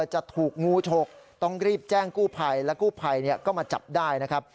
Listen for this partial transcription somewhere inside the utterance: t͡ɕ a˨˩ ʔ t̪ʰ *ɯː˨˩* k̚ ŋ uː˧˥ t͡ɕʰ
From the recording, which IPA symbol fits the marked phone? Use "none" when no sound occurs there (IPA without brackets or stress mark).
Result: uː˨˩